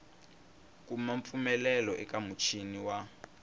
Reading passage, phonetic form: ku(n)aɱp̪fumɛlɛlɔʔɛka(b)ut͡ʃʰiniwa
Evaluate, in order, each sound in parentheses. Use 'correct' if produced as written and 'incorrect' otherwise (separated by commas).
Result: incorrect, incorrect